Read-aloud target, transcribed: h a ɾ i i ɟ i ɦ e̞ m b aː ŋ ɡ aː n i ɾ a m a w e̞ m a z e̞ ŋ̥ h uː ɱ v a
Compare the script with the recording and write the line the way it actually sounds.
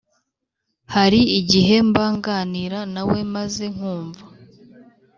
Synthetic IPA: h a ɾ i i ɟ i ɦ e̞ m b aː ŋ ɡ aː n i ɾ a n a w e̞ m a z e̞ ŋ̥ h uː ɱ v a